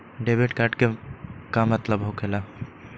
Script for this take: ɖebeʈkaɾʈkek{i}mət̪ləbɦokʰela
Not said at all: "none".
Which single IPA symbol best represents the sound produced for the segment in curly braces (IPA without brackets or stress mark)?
a